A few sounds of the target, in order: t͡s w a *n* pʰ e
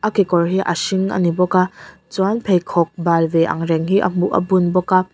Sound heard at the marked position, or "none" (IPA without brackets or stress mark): n